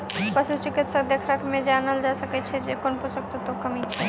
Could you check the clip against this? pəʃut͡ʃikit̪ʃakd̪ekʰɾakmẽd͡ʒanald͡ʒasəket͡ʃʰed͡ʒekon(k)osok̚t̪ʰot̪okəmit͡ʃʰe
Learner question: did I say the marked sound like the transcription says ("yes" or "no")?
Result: no